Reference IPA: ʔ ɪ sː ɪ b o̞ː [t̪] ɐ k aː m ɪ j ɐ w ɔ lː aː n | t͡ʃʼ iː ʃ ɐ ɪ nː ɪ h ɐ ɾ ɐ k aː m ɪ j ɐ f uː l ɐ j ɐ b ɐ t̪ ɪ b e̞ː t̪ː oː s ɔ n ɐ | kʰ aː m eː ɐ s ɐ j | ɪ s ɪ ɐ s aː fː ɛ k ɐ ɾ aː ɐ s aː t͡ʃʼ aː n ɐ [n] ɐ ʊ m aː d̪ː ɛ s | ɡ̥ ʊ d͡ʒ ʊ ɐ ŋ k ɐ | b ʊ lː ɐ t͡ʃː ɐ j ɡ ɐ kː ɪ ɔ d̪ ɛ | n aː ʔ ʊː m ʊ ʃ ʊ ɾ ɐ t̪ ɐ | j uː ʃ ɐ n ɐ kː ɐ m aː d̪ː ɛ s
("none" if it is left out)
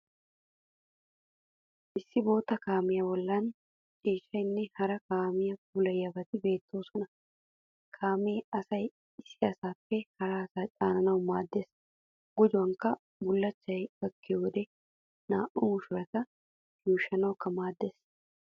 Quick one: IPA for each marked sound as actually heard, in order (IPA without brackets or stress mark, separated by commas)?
t̪, n